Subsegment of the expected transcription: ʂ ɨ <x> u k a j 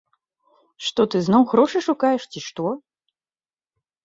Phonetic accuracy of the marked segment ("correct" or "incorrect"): incorrect